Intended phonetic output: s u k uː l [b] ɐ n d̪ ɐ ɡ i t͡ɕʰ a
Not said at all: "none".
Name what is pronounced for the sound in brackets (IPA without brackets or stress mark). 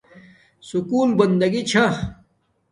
b